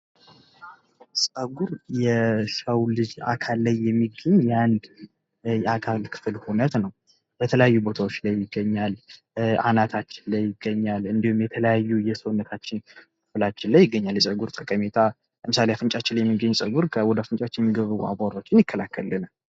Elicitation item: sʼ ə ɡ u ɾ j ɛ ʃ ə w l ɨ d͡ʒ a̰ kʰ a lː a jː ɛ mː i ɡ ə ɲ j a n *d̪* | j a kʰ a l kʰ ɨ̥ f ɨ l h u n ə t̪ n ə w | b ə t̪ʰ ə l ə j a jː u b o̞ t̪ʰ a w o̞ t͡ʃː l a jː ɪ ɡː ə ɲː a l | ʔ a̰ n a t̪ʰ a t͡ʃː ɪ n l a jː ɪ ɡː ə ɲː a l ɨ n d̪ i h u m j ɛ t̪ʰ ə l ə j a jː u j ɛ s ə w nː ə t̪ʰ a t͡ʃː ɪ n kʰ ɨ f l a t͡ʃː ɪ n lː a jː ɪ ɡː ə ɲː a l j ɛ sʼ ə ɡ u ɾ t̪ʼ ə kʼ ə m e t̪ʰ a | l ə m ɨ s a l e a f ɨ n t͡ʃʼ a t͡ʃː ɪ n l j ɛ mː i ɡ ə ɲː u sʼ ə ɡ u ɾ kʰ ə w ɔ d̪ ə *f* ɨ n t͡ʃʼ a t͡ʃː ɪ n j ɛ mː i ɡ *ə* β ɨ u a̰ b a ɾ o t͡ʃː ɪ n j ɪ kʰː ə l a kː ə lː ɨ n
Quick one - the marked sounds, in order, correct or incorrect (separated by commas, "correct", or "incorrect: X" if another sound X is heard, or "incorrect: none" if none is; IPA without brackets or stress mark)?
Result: correct, correct, correct